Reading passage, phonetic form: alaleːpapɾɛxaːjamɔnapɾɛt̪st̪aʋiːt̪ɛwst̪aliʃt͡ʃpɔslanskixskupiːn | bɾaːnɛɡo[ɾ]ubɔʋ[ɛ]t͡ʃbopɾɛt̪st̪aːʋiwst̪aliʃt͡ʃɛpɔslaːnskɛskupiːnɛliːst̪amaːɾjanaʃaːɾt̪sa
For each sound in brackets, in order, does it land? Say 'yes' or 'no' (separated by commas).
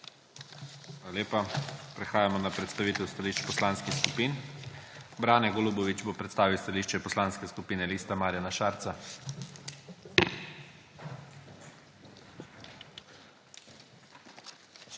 no, no